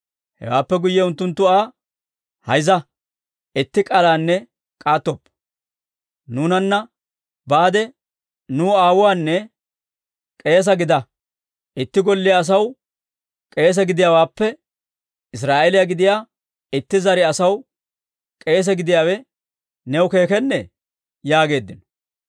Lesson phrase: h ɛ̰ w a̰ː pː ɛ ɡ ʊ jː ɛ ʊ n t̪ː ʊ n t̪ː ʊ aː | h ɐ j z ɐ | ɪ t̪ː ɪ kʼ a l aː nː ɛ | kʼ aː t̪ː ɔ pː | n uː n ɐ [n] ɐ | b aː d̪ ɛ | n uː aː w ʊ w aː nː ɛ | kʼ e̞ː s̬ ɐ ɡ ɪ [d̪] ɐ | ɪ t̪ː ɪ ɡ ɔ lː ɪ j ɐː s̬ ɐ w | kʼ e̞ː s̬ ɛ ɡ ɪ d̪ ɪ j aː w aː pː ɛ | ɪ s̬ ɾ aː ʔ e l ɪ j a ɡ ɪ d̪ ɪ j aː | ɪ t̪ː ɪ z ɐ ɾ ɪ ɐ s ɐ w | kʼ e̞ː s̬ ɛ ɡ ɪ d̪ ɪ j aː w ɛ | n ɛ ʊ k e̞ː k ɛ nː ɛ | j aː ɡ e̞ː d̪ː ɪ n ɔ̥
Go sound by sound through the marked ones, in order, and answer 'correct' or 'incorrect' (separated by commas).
incorrect, correct